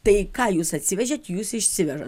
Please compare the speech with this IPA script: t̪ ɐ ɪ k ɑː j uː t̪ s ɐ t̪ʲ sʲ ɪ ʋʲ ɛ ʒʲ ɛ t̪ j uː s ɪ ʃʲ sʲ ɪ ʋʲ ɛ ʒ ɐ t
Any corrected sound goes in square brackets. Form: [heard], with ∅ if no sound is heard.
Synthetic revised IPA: t̪ ɐ ɪ k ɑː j uː [∅] s ɐ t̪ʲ sʲ ɪ ʋʲ ɛ ʒʲ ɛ t̪ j uː s ɪ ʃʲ sʲ ɪ ʋʲ ɛ ʒ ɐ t